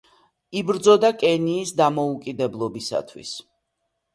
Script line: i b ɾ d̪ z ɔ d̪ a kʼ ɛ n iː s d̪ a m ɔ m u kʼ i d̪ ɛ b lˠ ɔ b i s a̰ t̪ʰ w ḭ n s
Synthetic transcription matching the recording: i b ɾ d̪ z ɔ d̪ a kʼ ɛ n iː s d̪ a m ɔ u kʼ i d̪ ɛ b lˠ ɔ b i s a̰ t̪ʰ w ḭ s